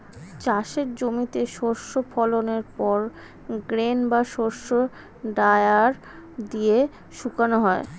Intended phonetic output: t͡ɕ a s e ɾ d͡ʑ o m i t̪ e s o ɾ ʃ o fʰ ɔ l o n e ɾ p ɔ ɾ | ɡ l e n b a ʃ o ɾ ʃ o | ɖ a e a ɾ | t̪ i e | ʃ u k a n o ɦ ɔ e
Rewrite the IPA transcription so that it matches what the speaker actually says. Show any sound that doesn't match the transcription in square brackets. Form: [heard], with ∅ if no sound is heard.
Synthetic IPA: t͡ɕ a [ʃ] e ɾ d͡ʑ o m i t̪ e [ʃ] o ɾ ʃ o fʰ ɔ l o n e ɾ p ɔ ɾ | ɡ [ɾ] e n b a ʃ o ɾ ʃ o | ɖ a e a ɾ | [d̪] i e | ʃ u k a n o ɦ ɔ e